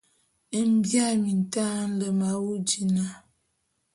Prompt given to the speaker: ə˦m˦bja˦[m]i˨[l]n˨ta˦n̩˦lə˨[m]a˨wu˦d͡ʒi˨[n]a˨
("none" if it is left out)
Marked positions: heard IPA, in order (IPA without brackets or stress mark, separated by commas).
m, none, m, n